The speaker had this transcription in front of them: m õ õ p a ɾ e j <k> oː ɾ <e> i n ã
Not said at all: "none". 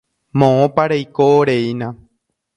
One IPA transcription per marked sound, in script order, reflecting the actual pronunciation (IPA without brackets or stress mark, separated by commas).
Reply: k, e